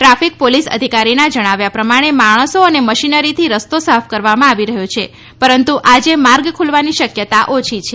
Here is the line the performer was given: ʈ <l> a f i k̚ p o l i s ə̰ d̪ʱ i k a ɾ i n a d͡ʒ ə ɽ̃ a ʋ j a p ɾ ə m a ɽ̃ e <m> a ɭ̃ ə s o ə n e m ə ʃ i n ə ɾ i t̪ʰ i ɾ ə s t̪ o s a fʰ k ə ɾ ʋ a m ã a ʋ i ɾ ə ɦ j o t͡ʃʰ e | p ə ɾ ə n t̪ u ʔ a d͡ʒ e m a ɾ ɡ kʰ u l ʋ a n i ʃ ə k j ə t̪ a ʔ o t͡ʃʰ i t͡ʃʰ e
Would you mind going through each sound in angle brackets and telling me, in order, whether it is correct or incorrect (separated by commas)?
incorrect, correct